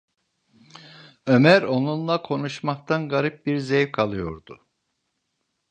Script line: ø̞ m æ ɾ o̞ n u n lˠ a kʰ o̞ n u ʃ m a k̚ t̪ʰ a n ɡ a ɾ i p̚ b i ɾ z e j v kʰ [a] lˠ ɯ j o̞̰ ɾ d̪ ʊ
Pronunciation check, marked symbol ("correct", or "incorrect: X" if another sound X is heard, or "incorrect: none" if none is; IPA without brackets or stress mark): correct